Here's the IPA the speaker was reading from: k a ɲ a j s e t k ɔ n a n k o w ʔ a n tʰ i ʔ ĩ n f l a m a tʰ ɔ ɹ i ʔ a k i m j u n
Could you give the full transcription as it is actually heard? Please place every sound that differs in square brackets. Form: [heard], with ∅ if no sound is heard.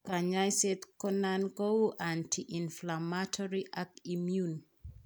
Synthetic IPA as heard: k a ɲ a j s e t k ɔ n a n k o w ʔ a n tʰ i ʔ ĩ n f l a m a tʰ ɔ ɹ i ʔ a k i m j u n